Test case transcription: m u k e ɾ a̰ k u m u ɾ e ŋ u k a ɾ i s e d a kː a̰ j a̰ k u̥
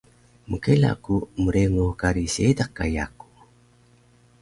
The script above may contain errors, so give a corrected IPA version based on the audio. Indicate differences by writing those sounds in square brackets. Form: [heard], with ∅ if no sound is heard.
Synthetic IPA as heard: m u k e [l] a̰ k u m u ɾ e ŋ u k a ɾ i s e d a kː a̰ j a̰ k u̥